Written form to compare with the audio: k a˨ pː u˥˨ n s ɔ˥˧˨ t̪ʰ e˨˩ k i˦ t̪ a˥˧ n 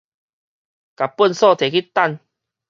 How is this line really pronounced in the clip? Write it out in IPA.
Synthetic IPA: k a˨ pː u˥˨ n s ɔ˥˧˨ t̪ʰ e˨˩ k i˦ t̪ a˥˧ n